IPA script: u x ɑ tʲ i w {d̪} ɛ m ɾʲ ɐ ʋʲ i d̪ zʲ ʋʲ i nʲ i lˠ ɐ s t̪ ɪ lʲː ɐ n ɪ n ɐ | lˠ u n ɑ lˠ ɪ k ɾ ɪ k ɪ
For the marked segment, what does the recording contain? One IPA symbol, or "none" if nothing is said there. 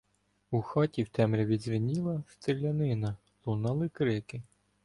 t̪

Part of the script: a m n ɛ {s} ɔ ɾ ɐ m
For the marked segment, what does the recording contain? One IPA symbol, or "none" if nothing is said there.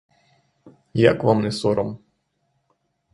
s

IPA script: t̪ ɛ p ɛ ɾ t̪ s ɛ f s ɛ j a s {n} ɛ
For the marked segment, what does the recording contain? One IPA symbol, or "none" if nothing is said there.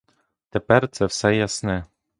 n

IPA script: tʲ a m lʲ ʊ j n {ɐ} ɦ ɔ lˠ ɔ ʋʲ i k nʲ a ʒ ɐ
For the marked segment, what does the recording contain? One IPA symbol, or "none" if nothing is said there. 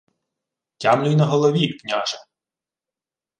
ɐ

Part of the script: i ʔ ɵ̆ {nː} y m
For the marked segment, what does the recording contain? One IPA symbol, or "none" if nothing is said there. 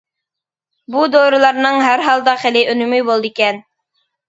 n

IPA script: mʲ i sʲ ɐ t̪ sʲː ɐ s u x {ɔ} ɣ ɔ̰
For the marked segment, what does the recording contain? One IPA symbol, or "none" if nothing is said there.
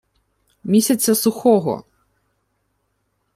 ɔ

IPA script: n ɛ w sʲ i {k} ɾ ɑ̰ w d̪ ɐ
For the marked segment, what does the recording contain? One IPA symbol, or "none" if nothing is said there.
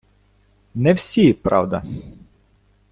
p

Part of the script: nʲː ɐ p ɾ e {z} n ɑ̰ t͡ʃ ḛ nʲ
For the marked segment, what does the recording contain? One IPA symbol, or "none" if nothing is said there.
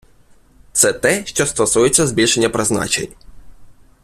z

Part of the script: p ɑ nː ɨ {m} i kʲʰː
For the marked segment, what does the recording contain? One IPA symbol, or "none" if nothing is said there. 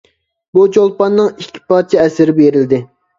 ŋ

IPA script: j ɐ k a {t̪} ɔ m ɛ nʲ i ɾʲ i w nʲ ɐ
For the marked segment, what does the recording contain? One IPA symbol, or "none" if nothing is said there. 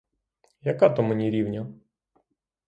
t̪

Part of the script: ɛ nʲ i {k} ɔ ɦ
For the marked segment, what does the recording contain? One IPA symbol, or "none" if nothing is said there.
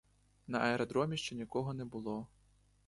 k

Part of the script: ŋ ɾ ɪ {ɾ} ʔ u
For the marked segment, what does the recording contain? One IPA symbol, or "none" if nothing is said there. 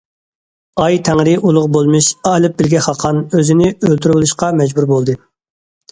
none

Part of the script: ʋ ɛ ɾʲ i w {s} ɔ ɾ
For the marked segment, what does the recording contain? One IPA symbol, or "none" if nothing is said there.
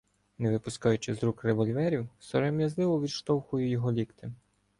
s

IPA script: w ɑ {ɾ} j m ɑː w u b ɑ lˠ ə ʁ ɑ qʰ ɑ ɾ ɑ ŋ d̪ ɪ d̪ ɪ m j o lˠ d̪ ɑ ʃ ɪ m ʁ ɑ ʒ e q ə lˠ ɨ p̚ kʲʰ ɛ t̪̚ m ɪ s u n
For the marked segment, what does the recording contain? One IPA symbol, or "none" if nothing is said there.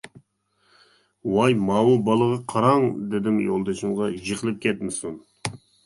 none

